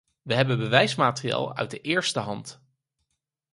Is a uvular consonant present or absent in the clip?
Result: absent